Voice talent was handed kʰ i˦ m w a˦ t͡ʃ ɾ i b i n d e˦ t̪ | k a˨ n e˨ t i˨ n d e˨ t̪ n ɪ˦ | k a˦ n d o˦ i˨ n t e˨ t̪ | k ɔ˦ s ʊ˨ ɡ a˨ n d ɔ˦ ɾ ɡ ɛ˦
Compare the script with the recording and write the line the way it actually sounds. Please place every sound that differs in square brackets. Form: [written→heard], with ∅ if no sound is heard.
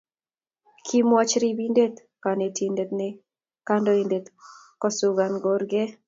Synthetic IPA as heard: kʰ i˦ m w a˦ t͡ʃ ɾ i b i n d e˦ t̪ | k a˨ n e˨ t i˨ n d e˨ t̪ n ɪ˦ | k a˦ n d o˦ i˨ n [t→d] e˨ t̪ | k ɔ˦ s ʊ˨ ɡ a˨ n [d→ɡ] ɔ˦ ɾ ɡ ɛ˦